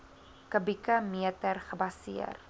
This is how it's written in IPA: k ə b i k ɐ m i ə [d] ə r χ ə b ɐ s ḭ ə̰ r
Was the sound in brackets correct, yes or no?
no